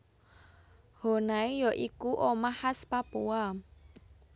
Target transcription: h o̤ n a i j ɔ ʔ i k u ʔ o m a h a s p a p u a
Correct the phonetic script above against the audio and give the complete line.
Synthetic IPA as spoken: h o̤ n a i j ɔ ʔ i k u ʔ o m a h a s p a p u a